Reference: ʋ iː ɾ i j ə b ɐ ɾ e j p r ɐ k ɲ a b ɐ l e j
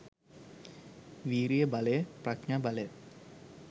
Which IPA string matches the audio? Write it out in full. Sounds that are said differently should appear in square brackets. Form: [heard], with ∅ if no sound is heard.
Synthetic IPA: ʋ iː ɾ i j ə b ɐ [l] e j p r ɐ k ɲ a b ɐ l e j